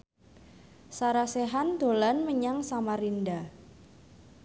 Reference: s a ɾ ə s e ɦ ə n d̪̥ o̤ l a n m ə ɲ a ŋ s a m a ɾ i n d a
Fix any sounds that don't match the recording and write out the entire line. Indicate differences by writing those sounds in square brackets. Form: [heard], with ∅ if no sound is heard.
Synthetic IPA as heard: s a ɾ [a] s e ɦ [a] n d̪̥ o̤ l a n m ə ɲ a ŋ s a m a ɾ i n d a